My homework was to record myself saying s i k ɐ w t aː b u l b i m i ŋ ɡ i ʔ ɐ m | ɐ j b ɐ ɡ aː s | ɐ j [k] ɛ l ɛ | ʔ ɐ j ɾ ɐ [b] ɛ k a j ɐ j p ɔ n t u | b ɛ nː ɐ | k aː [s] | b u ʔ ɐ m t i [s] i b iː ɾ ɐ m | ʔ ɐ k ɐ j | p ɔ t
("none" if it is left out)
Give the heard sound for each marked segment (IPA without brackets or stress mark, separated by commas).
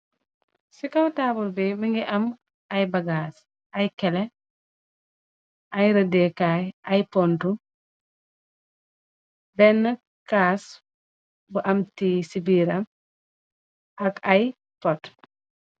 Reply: k, d, s, s